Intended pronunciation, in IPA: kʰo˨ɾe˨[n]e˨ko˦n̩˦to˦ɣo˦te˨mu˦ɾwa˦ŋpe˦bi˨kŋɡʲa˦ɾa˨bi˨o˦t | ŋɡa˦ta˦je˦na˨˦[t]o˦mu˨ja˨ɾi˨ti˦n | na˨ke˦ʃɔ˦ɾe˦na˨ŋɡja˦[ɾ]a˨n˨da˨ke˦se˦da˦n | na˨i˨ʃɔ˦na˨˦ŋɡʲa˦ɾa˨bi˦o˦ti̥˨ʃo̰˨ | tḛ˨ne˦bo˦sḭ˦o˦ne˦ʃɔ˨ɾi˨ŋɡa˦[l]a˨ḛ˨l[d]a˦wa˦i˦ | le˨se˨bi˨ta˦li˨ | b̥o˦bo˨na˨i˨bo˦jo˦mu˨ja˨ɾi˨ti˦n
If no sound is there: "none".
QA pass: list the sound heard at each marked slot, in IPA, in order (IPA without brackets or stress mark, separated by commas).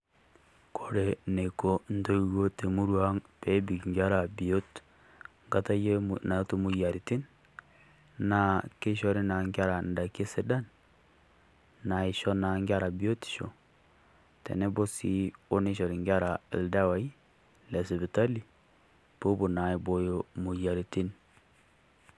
n, t, ɾ, ɾ, d